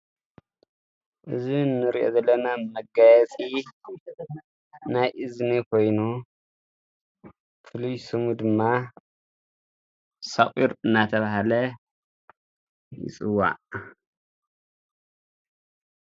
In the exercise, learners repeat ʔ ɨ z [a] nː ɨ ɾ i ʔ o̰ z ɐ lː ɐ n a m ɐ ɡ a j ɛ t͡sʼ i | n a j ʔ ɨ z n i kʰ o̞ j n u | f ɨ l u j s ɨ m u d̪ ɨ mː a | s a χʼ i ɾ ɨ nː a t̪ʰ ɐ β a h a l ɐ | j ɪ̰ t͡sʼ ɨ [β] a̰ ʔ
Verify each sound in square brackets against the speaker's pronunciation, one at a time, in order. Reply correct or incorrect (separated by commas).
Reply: incorrect, incorrect